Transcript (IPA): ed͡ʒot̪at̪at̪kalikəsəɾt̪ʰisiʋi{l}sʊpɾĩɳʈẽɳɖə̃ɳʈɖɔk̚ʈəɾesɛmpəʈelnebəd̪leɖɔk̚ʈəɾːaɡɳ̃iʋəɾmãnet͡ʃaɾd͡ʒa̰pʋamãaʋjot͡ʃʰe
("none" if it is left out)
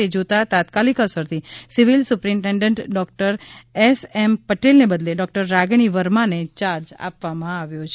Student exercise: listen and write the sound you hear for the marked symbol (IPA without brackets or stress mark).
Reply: l